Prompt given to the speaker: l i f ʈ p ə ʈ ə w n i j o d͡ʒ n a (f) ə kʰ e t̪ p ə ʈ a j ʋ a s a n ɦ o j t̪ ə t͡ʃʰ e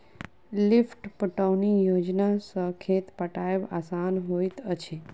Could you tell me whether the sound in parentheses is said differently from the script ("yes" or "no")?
yes